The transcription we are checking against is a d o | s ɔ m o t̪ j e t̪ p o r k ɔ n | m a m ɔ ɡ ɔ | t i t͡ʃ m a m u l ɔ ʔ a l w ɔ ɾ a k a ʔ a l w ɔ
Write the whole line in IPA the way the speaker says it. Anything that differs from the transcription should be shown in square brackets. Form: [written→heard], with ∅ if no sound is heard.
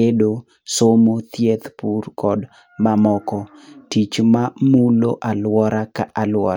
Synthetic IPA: [a→e] d o | s [ɔ→o] m o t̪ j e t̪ p [o→u] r k ɔ [n→d] | m a m ɔ [ɡ→k] ɔ | t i t͡ʃ m a m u l [ɔ→o] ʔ a l w ɔ ɾ a k a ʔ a l w ɔ